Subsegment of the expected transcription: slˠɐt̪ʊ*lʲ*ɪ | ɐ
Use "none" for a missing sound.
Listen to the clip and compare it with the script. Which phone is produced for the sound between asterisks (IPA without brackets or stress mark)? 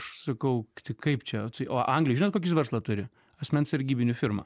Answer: ɾʲ